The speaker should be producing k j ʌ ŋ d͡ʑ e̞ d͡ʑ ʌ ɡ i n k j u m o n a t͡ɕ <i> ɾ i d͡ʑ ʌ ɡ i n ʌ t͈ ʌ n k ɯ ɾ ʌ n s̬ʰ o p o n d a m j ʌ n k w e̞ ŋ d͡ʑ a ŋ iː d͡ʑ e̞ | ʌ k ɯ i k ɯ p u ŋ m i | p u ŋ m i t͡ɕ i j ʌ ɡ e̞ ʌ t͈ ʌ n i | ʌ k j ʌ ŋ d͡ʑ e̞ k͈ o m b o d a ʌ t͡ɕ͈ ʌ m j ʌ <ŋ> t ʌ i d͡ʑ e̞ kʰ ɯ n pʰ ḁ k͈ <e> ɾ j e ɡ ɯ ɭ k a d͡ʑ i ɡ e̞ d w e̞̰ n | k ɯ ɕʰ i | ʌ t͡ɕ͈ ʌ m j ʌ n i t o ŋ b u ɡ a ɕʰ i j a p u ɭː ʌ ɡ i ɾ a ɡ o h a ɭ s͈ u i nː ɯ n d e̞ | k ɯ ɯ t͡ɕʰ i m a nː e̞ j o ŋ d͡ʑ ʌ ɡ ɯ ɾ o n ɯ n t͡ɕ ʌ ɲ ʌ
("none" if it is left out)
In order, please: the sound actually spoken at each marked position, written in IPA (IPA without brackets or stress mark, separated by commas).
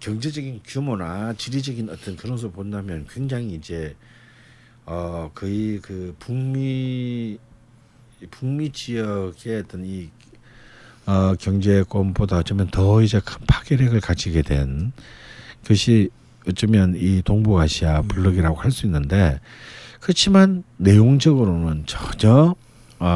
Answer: i, n, e